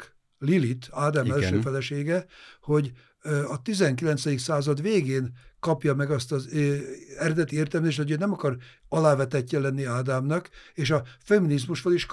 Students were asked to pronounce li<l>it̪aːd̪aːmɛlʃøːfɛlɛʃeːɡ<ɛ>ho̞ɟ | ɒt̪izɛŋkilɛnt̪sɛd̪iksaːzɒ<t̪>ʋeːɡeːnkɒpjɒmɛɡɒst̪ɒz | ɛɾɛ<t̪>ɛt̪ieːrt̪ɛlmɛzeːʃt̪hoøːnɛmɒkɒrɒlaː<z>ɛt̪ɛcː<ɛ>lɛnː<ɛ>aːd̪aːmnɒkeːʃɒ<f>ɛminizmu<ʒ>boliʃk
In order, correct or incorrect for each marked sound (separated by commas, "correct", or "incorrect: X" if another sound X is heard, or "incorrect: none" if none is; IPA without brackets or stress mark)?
correct, correct, incorrect: d̪, incorrect: d̪, incorrect: v, correct, incorrect: i, correct, incorrect: ʃ